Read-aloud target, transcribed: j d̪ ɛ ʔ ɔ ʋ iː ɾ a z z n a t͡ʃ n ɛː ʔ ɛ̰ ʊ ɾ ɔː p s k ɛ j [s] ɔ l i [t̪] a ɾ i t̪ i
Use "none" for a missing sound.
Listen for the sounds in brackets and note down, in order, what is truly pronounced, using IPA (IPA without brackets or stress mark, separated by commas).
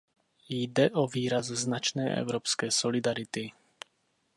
s, d̪